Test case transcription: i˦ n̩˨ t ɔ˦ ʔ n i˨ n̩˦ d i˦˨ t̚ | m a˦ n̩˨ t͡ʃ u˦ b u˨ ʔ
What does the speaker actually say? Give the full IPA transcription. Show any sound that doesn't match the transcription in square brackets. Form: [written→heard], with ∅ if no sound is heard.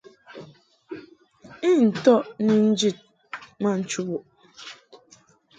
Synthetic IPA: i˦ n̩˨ t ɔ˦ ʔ n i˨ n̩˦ [d→d͡ʒ] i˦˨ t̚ | m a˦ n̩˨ t͡ʃ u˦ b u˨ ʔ